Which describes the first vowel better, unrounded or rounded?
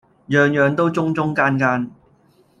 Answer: rounded